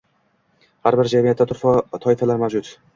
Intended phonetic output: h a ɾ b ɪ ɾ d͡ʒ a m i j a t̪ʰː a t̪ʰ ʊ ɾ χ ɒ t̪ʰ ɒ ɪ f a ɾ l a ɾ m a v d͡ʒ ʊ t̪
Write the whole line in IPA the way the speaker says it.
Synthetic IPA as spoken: h a ɾ b ɪ ɾ d͡ʒ a m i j a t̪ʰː a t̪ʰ ʊ ɾ f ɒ t̪ʰ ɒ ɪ f a l a ɾ m a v d͡ʒ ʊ t̪